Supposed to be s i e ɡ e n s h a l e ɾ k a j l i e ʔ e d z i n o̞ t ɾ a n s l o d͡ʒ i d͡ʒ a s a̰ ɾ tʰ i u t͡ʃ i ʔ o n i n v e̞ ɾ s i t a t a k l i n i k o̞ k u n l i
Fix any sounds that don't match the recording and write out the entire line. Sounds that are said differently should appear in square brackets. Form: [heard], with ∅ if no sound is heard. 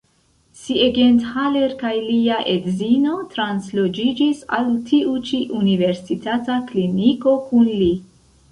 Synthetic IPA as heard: s i e ɡ e n [t] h a l e ɾ k a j l i [a] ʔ e d z i n o̞ t ɾ a n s l o d͡ʒ i d͡ʒ [i] s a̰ [l] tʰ i u t͡ʃ i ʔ [u] n i [∅] v e̞ ɾ s i t a t a k l i n i k o̞ k u n l i